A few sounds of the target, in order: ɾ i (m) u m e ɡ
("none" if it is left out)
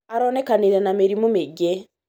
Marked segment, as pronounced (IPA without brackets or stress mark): m